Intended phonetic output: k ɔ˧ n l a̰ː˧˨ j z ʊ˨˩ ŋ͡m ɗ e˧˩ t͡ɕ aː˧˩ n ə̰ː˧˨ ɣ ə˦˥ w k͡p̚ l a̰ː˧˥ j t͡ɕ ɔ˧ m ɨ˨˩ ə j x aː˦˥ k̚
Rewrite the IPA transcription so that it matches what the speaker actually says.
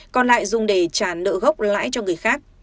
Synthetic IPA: k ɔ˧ n l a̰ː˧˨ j z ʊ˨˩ ŋ͡m ɗ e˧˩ t͡ɕ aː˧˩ n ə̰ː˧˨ ɣ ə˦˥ w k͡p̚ l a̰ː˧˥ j t͡ɕ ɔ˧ ŋ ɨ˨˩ ə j x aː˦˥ k̚